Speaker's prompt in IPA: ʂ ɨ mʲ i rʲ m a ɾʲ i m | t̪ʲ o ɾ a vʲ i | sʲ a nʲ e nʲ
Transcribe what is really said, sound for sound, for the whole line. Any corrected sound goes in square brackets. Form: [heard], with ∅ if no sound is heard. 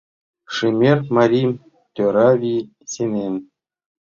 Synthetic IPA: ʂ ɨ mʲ [e] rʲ m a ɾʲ i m | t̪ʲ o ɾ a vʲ i | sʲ [e] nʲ e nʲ